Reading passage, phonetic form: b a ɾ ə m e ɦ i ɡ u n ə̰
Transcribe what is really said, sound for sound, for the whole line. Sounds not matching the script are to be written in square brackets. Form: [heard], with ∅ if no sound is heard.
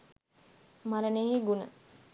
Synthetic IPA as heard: [m] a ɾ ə [n] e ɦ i ɡ u n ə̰